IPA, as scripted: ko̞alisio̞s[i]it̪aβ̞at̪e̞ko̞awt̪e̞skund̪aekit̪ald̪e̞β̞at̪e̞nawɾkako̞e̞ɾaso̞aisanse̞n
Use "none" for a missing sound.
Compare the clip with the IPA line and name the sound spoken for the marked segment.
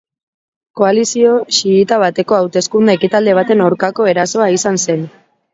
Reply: i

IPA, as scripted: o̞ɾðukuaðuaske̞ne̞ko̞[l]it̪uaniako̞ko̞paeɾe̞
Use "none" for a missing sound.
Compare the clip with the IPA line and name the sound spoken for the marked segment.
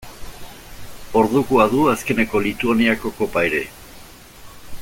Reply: l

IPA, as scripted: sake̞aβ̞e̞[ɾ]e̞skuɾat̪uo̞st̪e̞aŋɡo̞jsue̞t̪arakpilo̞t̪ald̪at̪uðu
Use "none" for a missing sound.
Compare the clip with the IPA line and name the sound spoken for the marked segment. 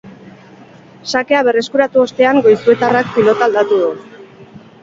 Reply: r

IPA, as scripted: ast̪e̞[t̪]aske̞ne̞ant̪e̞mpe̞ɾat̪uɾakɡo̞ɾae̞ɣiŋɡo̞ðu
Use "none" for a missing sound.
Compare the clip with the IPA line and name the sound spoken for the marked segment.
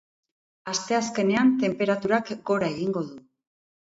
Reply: none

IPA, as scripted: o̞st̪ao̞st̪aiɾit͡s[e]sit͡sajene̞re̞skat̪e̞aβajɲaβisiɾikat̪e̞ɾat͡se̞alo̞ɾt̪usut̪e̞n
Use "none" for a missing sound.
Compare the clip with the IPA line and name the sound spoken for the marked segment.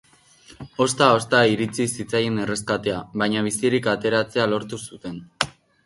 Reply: i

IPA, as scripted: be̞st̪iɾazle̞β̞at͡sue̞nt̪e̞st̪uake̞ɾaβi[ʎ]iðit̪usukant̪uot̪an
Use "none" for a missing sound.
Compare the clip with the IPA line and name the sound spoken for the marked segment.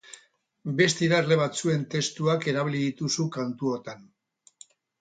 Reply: l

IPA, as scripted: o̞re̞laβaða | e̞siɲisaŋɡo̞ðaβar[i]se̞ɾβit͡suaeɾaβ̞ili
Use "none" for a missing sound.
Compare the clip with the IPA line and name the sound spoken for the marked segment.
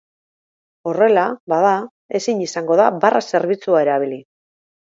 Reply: a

